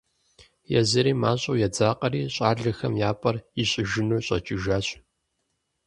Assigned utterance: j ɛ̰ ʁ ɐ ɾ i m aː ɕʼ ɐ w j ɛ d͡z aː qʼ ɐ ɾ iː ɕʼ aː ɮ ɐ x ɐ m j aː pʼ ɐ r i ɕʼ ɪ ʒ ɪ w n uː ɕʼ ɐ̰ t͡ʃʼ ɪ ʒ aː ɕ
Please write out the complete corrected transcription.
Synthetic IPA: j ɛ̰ z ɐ ɾ iː m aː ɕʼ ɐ w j ɛ d͡z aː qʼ ɐ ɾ iː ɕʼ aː ɮ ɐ x ɐ m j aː pʼ ɐ r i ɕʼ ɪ ʒ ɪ n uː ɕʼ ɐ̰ t͡ʃʼ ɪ ʒ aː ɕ